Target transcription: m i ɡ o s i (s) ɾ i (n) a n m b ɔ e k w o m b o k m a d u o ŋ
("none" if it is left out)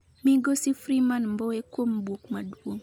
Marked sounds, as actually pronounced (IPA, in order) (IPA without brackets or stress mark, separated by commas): f, m